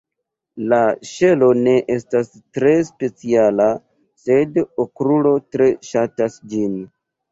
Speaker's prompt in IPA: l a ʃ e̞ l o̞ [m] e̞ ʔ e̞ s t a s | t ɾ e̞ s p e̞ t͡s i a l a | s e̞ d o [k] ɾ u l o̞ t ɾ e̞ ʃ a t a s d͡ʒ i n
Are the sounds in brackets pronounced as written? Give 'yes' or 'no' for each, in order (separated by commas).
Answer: no, yes